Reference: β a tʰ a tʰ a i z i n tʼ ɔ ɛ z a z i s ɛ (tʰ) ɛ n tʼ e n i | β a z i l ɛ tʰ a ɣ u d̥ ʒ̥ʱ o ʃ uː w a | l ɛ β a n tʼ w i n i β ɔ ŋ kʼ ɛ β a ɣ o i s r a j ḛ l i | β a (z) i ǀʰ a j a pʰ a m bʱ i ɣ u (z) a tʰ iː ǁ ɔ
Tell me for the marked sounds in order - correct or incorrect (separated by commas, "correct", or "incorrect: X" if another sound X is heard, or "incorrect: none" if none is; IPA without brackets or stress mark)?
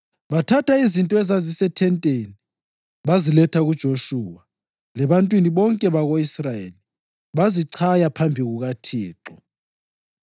correct, correct, incorrect: ɣ